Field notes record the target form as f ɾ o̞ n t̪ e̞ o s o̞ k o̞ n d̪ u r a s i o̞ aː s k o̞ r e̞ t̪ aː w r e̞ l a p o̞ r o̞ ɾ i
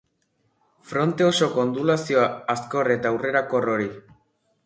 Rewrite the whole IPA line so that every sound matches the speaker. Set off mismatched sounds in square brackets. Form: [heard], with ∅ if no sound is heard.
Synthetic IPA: f ɾ o̞ n t̪ e̞ o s o̞ k o̞ n d̪ u [l] a s i o̞ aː s k o̞ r e̞ t̪ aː w r e̞ [ɾ] a [k] o̞ r o̞ ɾ i